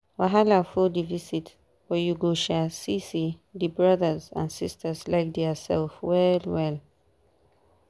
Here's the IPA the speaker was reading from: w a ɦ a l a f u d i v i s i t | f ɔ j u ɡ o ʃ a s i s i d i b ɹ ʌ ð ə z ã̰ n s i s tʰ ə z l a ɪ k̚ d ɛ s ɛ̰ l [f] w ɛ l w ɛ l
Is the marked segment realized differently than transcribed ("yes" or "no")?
no